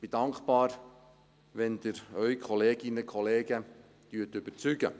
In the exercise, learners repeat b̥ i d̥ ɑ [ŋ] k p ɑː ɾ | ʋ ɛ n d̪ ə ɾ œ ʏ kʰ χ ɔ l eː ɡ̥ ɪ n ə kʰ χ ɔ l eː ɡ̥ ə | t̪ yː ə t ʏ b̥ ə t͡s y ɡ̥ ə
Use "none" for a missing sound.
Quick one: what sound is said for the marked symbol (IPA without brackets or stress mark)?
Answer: ŋ